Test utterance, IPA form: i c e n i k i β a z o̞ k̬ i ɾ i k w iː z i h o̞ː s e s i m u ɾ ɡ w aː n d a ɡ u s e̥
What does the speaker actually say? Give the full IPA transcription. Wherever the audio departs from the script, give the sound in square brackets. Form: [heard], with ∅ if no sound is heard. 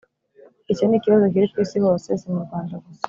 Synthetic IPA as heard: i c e n i k i β a z o̞ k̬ i ɾ i k w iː [s] i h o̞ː s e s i m u ɾ ɡ w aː n d a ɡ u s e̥